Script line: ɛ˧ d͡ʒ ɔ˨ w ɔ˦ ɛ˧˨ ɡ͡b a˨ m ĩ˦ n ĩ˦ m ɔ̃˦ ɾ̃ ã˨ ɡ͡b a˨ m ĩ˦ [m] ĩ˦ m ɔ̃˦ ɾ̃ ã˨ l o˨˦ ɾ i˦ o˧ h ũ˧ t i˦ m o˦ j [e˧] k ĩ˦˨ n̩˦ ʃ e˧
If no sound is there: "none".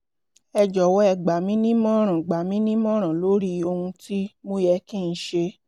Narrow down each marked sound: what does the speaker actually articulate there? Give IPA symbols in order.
n, ɛ˧

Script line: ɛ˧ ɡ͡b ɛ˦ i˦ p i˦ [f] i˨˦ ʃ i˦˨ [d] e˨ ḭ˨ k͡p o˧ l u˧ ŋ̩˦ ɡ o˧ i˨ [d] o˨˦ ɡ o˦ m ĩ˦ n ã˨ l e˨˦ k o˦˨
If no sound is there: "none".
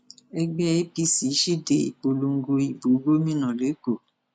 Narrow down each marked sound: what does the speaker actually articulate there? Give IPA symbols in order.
s, d, b

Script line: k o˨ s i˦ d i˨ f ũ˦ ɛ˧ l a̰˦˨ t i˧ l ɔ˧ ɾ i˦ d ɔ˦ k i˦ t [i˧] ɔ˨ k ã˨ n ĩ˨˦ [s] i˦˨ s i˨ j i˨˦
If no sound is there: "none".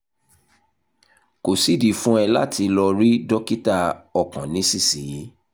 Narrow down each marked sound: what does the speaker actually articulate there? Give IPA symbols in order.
a˧, s

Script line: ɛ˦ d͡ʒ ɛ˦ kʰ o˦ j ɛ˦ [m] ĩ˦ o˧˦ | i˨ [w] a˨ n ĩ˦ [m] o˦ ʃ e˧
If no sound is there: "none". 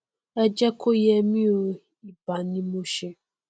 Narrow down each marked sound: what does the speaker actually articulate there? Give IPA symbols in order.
m, b, m

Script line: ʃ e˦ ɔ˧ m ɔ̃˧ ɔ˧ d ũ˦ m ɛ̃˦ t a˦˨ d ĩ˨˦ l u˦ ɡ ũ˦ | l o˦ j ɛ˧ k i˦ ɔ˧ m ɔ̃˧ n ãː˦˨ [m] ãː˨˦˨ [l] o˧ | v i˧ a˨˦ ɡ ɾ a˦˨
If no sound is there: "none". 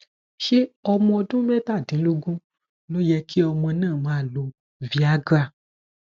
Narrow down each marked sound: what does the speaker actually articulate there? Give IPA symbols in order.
m, l

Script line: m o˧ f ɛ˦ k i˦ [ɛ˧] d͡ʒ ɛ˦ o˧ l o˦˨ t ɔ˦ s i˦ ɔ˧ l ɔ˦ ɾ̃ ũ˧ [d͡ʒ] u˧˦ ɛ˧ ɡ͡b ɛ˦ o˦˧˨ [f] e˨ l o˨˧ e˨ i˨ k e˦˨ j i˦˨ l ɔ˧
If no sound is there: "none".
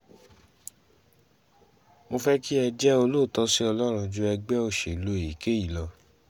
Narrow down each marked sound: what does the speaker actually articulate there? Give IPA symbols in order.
ɛ˧, d͡ʒ, ʃ

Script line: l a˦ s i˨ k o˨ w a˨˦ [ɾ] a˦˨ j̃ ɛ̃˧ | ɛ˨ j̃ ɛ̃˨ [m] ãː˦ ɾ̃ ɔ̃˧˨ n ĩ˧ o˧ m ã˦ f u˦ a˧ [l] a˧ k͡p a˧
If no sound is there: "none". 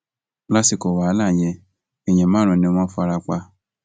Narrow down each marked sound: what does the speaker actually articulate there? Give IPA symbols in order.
l, m, ɾ

